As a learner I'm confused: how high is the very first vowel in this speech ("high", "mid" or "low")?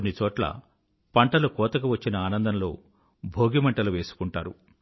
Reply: high